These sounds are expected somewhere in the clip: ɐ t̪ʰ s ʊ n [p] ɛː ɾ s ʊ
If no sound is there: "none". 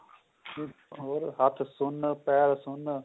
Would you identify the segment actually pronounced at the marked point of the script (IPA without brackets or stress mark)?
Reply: p